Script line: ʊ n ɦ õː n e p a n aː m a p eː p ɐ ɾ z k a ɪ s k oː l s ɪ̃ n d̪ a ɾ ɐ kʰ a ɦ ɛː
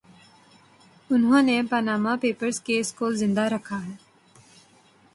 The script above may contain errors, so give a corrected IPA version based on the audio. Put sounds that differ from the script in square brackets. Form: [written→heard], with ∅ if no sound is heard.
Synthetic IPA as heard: ʊ n ɦ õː n e p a n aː m a p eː p [ɐ→ə] ɾ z k [a→e] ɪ s k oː l [s→z] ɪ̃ n d̪ a ɾ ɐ kʰ a ɦ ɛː